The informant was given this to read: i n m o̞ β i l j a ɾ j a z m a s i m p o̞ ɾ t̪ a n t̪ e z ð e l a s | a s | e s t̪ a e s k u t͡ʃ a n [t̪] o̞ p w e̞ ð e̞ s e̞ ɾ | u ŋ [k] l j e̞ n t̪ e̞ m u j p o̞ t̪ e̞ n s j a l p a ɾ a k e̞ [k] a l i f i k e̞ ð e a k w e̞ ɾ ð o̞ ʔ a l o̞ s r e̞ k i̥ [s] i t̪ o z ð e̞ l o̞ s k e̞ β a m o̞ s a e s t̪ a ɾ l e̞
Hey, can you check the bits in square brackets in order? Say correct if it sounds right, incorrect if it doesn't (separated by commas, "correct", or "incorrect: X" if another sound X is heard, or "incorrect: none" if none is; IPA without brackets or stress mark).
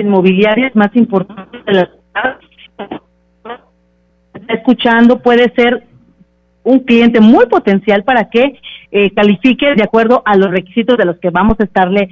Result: incorrect: d̪, correct, correct, correct